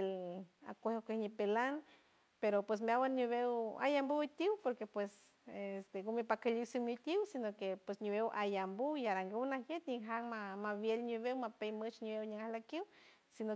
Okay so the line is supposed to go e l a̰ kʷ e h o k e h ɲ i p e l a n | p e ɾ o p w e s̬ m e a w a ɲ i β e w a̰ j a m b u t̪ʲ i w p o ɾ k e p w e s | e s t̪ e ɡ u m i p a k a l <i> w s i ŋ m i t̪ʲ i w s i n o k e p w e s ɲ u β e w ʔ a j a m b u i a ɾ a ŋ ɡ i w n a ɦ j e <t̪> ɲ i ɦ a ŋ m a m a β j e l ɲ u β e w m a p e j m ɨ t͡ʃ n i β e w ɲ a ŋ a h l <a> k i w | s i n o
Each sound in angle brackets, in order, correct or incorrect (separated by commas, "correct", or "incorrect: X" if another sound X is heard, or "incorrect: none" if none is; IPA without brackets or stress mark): correct, correct, correct